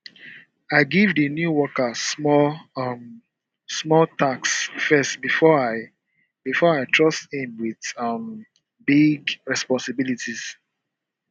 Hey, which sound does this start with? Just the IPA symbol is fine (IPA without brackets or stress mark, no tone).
a